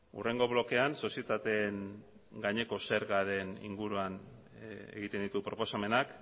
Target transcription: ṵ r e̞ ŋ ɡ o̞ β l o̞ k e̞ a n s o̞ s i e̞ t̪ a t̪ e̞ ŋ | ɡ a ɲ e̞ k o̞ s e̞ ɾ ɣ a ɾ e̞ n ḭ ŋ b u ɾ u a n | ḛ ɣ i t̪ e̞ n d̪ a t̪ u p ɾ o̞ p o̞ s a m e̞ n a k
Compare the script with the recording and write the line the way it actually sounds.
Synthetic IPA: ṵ r e̞ ŋ ɡ o̞ β l o̞ k e̞ a n s o̞ s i e̞ t̪ a t̪ e̞ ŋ | ɡ a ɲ e̞ k o̞ s e̞ ɾ ɣ a ɾ e̞ n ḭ ŋ ɡ u ɾ u a n | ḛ ɣ i t̪ e̞ n d̪ i t̪ u p ɾ o̞ p o̞ s a m e̞ n a k